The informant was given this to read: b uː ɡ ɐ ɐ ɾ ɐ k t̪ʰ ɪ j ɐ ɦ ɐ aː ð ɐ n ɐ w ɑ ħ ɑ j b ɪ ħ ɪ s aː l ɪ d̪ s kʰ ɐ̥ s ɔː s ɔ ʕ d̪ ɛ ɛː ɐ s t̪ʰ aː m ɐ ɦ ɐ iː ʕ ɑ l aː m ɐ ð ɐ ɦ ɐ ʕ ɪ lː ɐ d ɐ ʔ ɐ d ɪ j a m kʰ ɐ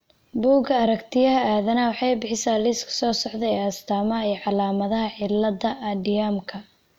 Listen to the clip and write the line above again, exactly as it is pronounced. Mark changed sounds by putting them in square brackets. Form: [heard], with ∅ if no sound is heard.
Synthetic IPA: b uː ɡ ɐ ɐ ɾ ɐ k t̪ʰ ɪ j ɐ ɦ ɐ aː ð ɐ n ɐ w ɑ ħ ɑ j b ɪ ħ ɪ s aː l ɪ [∅] s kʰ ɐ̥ s ɔː s ɔ ʕ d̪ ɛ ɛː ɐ s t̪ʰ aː m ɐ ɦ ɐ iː ʕ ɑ l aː m ɐ ð ɐ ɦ ɐ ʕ ɪ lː ɐ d ɐ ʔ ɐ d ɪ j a m kʰ ɐ